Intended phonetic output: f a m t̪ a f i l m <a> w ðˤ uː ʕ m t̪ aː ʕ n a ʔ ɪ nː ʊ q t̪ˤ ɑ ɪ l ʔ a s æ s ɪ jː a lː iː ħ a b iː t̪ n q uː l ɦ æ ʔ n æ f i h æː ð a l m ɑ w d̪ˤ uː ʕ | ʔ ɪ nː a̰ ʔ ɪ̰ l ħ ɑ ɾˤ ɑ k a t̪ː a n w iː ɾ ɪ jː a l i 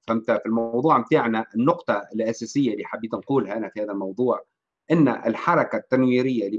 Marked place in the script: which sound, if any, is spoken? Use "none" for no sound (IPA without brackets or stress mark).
ɑ